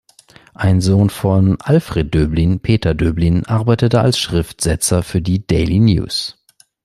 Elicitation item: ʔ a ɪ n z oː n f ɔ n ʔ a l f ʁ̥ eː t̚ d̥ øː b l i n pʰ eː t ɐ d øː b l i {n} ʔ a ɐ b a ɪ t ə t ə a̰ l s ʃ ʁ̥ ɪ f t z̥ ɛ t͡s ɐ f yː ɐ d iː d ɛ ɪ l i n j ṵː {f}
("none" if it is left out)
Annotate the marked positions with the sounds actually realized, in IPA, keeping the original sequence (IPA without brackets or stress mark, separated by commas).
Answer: n, s